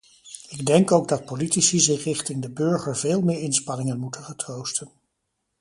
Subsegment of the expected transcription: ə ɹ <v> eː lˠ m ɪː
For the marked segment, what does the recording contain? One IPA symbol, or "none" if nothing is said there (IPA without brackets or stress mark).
v